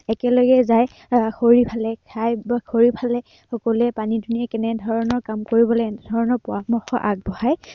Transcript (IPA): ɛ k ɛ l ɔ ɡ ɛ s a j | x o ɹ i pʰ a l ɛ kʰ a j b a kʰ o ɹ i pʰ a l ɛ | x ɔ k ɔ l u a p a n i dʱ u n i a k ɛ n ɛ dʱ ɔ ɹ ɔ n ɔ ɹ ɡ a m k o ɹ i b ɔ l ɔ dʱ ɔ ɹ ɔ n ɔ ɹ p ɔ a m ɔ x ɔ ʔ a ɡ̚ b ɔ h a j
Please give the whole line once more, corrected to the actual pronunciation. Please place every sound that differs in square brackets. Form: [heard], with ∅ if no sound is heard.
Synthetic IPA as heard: ɛ k ɛ l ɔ ɡ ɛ [z] a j | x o ɹ i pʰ a l ɛ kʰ a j b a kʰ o ɹ i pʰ a l ɛ | x ɔ k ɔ l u [ɛ] p a n i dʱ u n i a k ɛ n ɛ dʱ ɔ ɹ ɔ n ɔ ɹ [k] a m k o ɹ i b ɔ l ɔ dʱ ɔ ɹ ɔ n ɔ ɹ p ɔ a m ɔ x ɔ ʔ a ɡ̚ b ɔ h a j

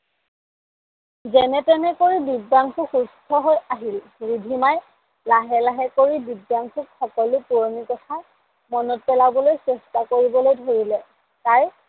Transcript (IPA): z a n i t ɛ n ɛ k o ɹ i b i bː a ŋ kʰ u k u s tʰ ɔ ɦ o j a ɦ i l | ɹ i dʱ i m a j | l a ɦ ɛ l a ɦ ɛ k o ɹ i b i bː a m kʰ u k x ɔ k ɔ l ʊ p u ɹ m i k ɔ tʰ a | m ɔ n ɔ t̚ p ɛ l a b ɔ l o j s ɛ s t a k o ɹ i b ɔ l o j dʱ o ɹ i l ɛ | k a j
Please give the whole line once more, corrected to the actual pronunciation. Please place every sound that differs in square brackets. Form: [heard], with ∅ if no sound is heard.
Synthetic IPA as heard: z [ɛ] n [ɛ] t ɛ n ɛ k o ɹ i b i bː a ŋ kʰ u [x] u s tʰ ɔ ɦ o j a ɦ i l | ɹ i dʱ i m a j | l a ɦ ɛ l a ɦ ɛ k o ɹ i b i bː a [ŋ] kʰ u k x ɔ k ɔ l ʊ p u ɹ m i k ɔ tʰ a | m ɔ n ɔ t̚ p ɛ l a b ɔ l o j s ɛ s t a k o ɹ i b ɔ l o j dʱ o ɹ i l ɛ | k a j

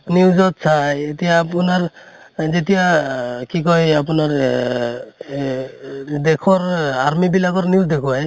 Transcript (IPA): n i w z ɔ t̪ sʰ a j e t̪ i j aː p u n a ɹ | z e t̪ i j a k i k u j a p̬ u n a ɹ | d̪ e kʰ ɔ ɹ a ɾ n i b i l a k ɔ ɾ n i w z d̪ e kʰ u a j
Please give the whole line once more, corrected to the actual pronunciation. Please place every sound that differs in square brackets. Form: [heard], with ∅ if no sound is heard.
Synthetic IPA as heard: n i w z ɔ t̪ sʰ a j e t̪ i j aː p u n a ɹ | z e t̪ i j a k i k [ɔ] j a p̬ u n a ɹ | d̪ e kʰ ɔ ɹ a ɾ [m] i b i l a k ɔ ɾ n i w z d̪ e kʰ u a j

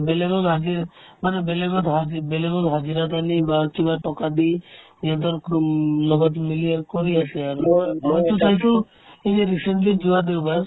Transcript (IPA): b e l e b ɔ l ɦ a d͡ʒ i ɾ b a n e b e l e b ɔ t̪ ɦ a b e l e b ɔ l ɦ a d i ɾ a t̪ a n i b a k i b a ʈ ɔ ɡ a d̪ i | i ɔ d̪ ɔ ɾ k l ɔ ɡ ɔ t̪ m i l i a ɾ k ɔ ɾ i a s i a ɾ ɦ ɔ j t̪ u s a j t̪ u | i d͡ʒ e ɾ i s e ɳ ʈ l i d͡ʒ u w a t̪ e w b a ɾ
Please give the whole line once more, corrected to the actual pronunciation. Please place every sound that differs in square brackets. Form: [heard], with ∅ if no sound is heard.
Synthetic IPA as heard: b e l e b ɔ l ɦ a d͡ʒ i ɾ [m] a n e b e l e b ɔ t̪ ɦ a b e l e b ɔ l ɦ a [d͡ʒ] i ɾ a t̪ a n i b a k i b a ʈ ɔ [k] a d̪ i | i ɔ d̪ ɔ ɾ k l ɔ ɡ ɔ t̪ m i l i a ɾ k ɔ ɾ i a s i a ɾ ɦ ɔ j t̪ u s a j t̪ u | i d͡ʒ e ɾ i s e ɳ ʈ l i d͡ʒ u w a [d̪] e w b a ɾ

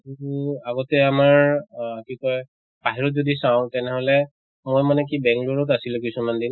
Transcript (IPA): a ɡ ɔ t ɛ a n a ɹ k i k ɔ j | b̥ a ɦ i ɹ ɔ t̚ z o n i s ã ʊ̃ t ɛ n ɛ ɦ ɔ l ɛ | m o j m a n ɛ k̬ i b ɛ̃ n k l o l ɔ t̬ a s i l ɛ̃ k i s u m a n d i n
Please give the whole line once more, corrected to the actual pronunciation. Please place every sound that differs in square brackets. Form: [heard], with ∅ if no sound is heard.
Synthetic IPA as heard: a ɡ ɔ t ɛ a [m] a ɹ k i k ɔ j | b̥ a ɦ i ɹ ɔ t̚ z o [d] i s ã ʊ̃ t ɛ n ɛ ɦ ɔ l ɛ | m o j m a n ɛ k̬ i b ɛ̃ [ŋ] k l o [ɹ] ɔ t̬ a s i l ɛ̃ k i s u m a n d i n

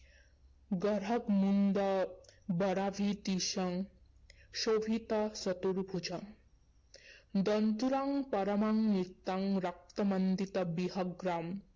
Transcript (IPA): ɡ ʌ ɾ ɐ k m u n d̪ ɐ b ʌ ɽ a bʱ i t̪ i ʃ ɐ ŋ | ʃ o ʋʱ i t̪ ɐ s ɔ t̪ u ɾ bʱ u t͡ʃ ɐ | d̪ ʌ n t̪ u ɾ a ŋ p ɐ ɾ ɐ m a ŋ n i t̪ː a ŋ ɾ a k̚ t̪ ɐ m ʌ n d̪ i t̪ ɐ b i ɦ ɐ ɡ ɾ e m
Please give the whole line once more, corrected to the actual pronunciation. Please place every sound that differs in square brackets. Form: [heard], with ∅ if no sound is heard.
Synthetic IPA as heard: ɡ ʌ ɾ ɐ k m u n d̪ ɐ b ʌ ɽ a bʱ i t̪ i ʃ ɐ ŋ | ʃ o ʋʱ i t̪ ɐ s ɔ t̪ u ɾ bʱ u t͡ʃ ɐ | d̪ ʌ n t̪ u ɾ a ŋ p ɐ ɾ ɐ m a ŋ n i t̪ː a ŋ ɾ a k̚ t̪ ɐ m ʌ n d̪ i t̪ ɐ b i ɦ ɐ ɡ ɾ [a] m

